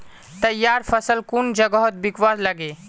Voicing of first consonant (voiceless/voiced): voiceless